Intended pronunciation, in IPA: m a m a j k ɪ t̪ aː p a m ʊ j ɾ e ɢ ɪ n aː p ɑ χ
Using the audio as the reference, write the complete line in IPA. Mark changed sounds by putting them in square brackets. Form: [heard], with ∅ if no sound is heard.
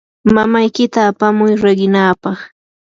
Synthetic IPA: m a m a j k ɪ t̪ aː p a m ʊ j ɾ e ɢ ɪ n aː p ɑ χ